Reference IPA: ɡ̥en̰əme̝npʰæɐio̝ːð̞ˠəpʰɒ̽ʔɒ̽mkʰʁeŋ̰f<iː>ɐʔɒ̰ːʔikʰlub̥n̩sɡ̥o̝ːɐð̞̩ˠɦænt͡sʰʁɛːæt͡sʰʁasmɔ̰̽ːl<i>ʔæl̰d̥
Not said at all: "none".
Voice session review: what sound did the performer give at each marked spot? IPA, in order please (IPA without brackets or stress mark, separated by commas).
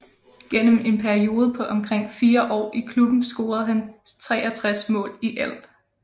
iː, i